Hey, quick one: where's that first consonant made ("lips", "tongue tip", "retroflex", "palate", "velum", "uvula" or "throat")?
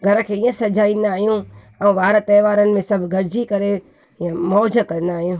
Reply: velum